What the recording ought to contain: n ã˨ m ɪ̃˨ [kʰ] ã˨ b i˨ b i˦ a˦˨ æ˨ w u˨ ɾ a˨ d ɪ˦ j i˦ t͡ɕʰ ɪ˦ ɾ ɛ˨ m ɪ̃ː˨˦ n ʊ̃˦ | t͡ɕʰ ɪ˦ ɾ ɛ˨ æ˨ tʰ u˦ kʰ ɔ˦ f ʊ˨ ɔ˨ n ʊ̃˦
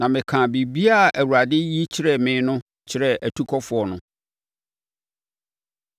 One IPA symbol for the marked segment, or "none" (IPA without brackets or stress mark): kʰ